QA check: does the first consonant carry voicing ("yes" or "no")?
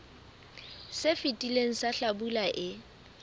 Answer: no